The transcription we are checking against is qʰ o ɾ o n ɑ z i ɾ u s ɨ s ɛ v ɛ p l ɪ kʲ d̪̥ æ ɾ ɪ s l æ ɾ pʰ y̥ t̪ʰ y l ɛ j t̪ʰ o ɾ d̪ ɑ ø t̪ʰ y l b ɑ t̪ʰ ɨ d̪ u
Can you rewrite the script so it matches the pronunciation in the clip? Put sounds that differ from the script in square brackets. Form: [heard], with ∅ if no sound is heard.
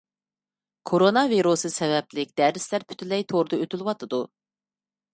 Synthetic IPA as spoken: [kʰ] o ɾ o n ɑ [v] i ɾ u s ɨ s ɛ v ɛ p l ɪ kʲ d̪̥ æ ɾ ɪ s l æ ɾ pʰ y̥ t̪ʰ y l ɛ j t̪ʰ o ɾ d̪ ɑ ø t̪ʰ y l [w] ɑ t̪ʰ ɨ d̪ u